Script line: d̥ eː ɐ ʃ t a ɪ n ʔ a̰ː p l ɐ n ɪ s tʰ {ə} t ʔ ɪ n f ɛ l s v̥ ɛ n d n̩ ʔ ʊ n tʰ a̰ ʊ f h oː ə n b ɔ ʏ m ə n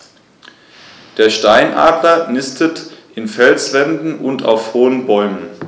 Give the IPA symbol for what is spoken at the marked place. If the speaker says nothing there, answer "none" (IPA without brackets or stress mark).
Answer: ə